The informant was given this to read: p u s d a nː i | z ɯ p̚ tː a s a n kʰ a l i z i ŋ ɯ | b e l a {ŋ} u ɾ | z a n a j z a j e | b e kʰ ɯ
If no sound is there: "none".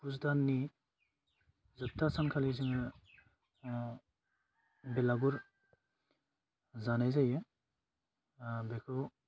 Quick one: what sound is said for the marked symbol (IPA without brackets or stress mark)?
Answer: ɡ